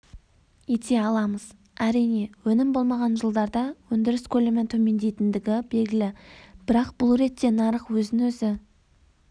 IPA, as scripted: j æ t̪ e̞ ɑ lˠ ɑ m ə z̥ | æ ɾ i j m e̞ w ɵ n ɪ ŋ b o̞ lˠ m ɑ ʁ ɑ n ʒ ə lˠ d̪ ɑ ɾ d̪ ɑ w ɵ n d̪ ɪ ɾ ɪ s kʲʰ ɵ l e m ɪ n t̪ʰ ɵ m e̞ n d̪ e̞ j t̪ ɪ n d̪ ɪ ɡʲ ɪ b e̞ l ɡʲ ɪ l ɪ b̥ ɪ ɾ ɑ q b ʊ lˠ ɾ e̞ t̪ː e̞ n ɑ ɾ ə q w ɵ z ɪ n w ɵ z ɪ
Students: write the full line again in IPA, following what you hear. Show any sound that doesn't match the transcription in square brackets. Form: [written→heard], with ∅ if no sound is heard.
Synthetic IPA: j [æ→e] t̪ e̞ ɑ lˠ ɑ m ə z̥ | æ ɾ i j [m→n] e̞ w ɵ n ɪ [ŋ→m] b o̞ lˠ m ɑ ʁ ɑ n ʒ ə lˠ d̪ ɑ ɾ d̪ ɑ w ɵ n d̪ ɪ ɾ ɪ s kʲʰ ɵ l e m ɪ n t̪ʰ ɵ m e̞ n d̪ e̞ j t̪ ɪ n d̪ ɪ ɡʲ ɪ b e̞ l ɡʲ ɪ l ɪ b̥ ɪ ɾ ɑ q b ʊ lˠ ɾ e̞ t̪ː e̞ n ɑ ɾ ə q w ɵ z ɪ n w ɵ z ɪ

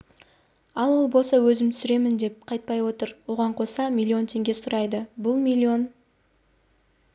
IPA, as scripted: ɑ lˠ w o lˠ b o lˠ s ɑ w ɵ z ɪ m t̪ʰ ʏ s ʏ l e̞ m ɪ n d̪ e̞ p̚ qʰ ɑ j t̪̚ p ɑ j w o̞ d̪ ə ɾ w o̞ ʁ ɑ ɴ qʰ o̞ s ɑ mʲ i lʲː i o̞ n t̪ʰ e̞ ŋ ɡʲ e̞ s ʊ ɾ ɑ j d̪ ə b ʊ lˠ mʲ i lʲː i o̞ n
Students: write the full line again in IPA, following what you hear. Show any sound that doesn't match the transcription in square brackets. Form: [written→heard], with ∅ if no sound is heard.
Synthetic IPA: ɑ lˠ w o lˠ b o lˠ s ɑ w ɵ z ɪ m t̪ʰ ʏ s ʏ [l→ɾ] e̞ m ɪ n d̪ e̞ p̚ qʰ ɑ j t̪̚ p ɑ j w o̞ [d̪→t̪] ə ɾ w o̞ ʁ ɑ ɴ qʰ o̞ s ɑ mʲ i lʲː i o̞ n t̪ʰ e̞ ŋ ɡʲ e̞ s ʊ ɾ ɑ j d̪ ə b ʊ lˠ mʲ i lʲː i o̞ n

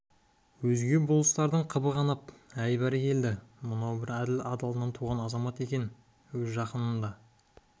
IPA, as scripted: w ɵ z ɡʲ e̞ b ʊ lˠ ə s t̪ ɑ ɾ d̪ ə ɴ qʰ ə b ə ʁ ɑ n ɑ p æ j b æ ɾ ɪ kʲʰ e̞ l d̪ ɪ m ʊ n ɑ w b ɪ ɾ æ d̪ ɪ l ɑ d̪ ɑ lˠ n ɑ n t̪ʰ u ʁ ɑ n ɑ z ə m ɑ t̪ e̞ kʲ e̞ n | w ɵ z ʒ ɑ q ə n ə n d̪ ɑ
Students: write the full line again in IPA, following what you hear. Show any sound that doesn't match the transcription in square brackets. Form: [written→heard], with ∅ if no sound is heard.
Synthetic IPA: w ɵ z ɡʲ e̞ b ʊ lˠ ə s t̪ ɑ ɾ d̪ ə ɴ qʰ ə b ə ʁ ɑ n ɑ p æ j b æ ɾ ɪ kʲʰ e̞ l d̪ ɪ m ʊ n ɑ w b ɪ ɾ æ d̪ ɪ l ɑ d̪ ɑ lˠ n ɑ n t̪ʰ u ʁ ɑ n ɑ z [ə→ɑ] m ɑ t̪ e̞ kʲ e̞ n | w ɵ z ʒ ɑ q ə n ə n d̪ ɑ

